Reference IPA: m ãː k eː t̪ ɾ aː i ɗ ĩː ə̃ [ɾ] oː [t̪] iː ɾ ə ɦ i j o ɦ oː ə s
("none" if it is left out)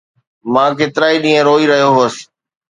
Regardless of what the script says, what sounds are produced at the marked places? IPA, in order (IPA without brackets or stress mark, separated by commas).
ɾ, none